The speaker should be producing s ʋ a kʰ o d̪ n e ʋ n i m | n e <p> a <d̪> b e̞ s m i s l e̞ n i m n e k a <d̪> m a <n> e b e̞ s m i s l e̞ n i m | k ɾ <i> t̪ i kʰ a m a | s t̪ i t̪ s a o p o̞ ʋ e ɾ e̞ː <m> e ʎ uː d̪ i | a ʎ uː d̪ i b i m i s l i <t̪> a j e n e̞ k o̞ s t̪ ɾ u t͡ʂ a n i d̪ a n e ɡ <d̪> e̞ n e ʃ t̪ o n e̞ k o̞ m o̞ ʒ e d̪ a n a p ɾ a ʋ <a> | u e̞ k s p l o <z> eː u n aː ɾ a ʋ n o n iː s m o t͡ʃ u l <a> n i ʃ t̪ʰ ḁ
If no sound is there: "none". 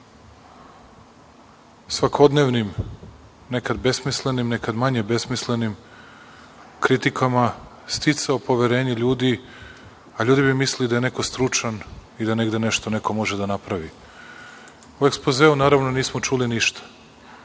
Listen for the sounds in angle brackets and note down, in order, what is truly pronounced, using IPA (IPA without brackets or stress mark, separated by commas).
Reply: k, d̪, d̪, ɲ, i, ɲ, d̪, d̪, i, z, i